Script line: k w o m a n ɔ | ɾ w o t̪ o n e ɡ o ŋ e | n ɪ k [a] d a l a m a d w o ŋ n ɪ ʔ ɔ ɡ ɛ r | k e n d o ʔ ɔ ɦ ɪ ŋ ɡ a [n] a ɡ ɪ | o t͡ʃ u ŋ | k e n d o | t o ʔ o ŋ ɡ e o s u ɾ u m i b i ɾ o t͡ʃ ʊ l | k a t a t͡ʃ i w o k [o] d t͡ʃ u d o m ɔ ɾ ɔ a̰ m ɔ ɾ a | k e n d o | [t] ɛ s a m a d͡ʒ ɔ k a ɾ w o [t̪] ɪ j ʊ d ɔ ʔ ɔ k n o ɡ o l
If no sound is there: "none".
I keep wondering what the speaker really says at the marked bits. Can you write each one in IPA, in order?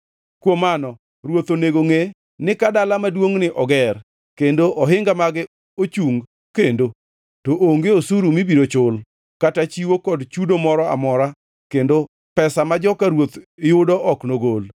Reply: a, m, ɔ, p, t̪

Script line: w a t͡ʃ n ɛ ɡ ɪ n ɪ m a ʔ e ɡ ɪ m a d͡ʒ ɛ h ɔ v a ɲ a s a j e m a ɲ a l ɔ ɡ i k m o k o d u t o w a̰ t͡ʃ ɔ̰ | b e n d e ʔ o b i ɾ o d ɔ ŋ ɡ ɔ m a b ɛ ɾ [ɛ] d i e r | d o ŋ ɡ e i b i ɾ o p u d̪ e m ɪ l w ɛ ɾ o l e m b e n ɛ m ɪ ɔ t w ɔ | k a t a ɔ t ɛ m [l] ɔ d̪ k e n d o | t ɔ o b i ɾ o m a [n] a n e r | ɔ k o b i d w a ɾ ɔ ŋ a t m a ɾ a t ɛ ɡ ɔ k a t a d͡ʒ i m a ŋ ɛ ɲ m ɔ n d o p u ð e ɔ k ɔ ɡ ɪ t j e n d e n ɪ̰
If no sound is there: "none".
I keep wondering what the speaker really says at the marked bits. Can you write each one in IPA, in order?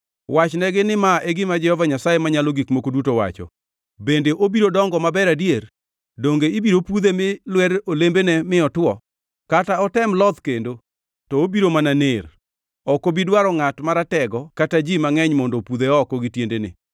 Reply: a, l, n

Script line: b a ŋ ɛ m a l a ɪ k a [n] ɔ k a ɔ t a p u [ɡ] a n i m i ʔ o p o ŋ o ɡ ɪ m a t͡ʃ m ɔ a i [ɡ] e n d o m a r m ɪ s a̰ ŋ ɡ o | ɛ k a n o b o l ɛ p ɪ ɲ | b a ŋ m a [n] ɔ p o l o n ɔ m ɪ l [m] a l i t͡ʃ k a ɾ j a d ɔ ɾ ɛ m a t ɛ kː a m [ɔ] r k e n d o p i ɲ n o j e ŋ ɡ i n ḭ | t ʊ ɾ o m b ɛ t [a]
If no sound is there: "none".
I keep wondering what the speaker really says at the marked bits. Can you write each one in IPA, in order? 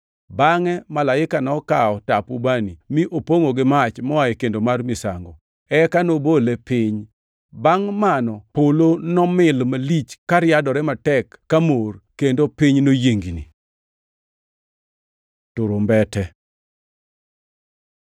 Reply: n, b, k, n, m, o, ɛ

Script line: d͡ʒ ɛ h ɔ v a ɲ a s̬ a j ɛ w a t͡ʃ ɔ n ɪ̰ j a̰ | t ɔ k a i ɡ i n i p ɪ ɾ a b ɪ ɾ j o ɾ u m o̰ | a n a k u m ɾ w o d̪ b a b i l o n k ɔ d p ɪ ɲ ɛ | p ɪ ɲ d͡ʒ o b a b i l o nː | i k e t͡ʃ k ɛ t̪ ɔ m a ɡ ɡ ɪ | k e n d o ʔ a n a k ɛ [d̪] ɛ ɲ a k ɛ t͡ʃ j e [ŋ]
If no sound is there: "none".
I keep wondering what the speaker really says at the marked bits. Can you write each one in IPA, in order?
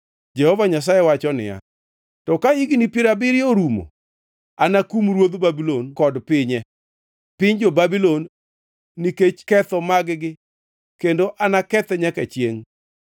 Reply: t̪, ŋ

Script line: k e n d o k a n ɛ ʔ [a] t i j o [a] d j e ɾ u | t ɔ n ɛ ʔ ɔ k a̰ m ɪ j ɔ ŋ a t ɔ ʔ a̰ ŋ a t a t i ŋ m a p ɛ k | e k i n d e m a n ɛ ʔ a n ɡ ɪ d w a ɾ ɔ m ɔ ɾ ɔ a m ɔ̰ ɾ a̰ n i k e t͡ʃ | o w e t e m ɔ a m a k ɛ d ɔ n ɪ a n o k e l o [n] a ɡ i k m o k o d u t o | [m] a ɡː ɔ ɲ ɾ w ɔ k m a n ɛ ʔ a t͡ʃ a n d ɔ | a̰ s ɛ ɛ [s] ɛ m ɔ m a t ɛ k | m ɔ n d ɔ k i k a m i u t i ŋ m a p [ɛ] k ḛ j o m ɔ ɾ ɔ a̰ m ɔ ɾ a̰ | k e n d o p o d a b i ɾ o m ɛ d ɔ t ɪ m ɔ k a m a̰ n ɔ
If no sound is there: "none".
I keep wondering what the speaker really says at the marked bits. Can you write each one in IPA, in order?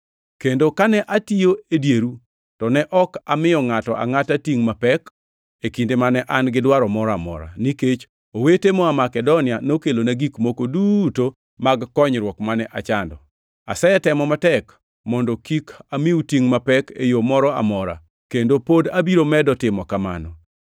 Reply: a, e, n, m, t, ɛ

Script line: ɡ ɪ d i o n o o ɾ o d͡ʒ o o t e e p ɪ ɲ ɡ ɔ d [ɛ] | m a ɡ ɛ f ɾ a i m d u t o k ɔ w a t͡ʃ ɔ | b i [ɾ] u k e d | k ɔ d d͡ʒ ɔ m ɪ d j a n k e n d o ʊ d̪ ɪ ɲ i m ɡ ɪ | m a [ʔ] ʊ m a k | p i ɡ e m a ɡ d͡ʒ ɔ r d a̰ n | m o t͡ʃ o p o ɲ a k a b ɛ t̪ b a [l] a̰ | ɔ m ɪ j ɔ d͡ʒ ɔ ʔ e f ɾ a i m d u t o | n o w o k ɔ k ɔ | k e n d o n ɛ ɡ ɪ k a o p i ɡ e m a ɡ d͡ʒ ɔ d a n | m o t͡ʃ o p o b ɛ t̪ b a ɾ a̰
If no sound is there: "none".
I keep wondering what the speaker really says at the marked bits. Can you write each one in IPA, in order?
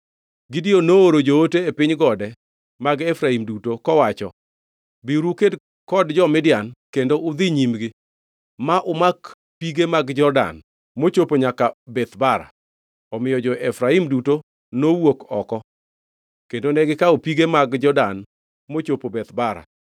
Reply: ɛ, ɾ, ʔ, ɾ

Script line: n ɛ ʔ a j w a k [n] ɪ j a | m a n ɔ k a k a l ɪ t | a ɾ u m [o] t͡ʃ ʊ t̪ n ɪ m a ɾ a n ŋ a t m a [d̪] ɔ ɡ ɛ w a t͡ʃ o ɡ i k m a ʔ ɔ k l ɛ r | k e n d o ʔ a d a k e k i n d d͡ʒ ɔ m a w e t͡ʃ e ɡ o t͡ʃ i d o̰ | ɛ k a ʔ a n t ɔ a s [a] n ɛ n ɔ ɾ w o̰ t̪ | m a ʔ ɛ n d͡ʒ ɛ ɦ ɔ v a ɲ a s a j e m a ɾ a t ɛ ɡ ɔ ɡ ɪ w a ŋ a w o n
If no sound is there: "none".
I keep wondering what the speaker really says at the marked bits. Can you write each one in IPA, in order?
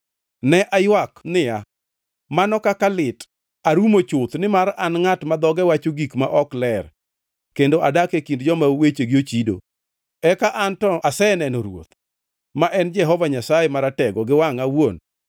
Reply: n, o, d̪, ɛ

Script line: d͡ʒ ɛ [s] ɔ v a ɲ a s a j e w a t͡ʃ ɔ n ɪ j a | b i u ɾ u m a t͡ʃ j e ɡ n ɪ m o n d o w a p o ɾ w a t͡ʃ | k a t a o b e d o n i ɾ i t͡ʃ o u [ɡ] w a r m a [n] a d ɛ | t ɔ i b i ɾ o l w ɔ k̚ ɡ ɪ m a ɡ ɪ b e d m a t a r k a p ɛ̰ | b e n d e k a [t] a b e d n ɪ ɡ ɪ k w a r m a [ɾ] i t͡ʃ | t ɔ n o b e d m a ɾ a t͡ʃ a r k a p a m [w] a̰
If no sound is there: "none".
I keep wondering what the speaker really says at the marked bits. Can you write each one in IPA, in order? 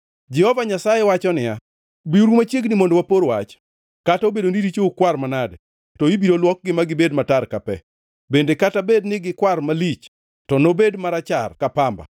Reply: h, k, n, t, l, b

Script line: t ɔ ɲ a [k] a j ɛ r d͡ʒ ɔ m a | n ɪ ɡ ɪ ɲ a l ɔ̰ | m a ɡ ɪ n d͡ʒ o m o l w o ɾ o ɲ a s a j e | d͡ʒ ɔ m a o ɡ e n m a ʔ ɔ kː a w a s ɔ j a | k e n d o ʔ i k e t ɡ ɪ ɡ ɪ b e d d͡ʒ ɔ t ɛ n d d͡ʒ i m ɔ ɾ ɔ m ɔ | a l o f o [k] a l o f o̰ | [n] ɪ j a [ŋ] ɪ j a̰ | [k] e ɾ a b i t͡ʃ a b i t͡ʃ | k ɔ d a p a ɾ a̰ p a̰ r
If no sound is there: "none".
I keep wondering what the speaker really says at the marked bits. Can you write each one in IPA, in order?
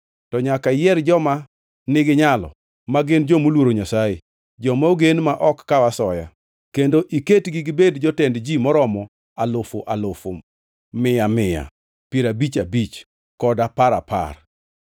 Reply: k, ʔ, m, m, p

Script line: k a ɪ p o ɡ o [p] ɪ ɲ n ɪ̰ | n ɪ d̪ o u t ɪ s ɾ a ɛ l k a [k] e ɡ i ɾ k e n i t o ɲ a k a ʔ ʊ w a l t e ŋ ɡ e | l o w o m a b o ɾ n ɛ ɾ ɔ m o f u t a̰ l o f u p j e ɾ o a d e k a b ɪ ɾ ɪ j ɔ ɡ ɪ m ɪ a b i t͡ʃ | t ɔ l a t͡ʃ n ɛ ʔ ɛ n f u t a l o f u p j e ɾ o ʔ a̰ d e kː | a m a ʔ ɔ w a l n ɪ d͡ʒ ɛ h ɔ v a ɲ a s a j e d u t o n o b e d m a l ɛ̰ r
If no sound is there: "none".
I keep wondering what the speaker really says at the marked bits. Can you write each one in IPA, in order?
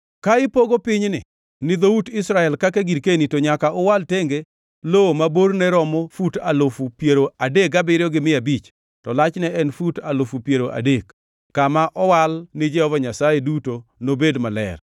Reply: p, k

